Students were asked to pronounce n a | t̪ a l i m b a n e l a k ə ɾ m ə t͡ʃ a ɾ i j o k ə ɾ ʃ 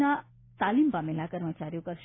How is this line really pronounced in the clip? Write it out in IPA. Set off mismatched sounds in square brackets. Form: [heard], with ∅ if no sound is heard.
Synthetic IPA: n a | t̪ a l i m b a [m] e l a k ə ɾ m ə t͡ʃ a ɾ i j o k ə ɾ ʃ